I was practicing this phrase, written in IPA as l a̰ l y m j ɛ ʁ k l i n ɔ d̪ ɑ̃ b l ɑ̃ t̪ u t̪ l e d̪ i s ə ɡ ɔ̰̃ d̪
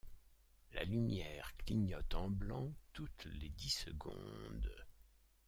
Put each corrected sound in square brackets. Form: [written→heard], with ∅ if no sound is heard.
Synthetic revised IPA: l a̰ l y m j ɛ ʁ k l i [n→ɲ] ɔ [d̪→t̪] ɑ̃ b l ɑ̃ t̪ u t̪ l e d̪ i s ə ɡ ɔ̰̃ d̪